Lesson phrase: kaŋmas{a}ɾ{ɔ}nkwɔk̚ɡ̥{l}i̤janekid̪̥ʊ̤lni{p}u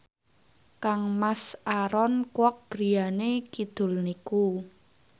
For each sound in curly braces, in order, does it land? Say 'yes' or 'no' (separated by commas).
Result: yes, yes, no, no